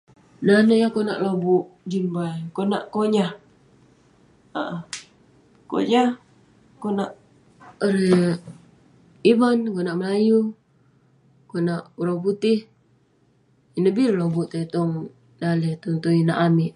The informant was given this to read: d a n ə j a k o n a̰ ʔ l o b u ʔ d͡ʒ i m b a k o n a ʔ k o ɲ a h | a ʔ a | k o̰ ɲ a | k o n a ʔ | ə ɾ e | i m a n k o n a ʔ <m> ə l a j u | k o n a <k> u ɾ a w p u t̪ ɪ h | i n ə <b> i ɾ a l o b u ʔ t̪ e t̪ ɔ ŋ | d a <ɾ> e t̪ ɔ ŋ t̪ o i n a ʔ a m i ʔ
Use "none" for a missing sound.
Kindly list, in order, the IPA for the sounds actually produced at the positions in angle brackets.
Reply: m, ʔ, b, l

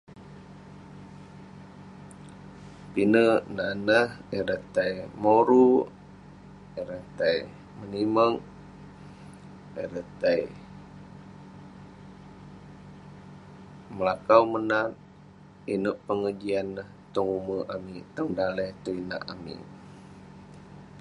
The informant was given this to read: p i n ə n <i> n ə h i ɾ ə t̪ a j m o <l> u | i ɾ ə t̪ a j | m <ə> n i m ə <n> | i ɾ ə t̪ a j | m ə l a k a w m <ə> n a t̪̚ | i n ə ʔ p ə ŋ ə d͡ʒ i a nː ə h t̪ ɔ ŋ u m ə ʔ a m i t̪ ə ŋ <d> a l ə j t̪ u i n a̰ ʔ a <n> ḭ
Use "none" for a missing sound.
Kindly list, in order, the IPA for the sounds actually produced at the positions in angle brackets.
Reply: a, ɾ, ə, ŋ, ə, d, m

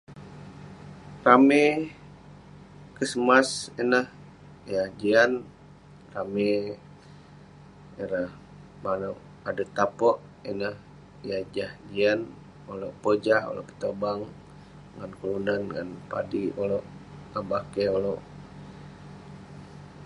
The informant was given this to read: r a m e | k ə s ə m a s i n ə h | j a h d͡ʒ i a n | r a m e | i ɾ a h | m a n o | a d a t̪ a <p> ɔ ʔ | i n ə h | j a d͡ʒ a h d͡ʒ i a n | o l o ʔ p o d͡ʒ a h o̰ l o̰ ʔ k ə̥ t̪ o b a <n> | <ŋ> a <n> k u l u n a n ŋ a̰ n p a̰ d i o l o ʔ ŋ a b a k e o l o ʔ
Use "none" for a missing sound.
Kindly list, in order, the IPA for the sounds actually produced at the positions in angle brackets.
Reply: p, ŋ, ŋ, n

